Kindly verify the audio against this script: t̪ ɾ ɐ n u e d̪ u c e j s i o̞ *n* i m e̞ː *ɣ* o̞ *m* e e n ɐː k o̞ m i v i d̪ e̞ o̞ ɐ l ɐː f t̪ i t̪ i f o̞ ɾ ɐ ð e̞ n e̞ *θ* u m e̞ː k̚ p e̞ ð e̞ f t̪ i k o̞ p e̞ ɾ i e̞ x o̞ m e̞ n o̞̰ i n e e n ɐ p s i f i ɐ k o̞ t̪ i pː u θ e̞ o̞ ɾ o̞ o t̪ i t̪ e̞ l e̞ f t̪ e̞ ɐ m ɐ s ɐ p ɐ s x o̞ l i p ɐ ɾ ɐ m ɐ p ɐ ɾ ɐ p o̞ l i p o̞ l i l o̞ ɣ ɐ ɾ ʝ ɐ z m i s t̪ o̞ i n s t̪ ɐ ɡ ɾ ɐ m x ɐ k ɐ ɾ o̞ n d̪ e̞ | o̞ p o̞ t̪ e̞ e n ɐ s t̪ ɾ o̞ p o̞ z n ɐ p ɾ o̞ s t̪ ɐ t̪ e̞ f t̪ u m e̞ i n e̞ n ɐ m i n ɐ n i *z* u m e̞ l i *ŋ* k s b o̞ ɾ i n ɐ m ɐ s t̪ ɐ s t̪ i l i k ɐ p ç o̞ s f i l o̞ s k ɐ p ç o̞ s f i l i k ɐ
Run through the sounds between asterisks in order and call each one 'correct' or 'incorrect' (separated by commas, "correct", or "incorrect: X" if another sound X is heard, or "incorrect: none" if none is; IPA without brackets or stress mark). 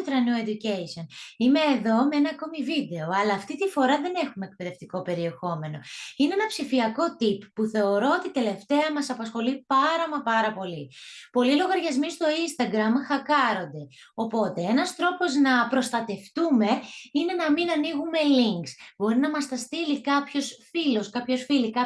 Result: correct, incorrect: ð, correct, incorrect: x, incorrect: ɣ, correct